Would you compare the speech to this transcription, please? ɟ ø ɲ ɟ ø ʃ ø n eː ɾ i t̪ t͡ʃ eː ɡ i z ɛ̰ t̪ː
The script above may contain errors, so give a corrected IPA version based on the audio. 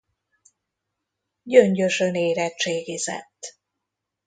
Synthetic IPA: ɟ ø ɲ ɟ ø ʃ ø n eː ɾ ɛ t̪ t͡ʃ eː ɡ i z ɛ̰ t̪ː

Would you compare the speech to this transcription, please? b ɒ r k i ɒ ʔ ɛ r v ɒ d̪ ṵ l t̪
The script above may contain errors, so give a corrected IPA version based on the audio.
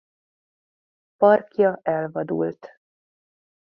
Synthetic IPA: p ɒ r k j ɒ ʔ ɛ l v ɒ d̪ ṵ l t̪

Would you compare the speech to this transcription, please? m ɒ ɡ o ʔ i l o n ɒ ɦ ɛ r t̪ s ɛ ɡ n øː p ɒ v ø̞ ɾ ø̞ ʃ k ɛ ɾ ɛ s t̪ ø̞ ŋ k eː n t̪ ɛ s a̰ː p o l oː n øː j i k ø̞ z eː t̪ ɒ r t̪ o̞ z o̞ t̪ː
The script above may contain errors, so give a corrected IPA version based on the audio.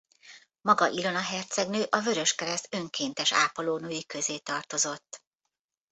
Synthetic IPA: m ɒ ɡ ɒ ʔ i l o n ɒ ɦ ɛ r t̪ s ɛ ɡ n øː ʔ ɒ v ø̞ ɾ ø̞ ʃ k ɛ ɾ ɛ s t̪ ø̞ ŋ k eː n t̪ ɛ ʃ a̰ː p o l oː n øː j i k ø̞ z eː t̪ ɒ r t̪ o̞ z o̞ t̪ː

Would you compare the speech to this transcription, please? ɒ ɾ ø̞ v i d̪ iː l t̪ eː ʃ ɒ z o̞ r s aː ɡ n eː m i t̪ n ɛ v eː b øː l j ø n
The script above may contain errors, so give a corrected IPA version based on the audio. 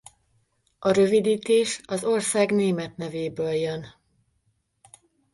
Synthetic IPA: ɒ ɾ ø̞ v i d̪ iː t̪ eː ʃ ɒ z o̞ r s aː ɡ n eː m ɛ t̪ n ɛ v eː b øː l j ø n

